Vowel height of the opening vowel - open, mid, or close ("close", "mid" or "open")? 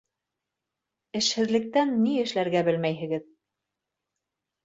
mid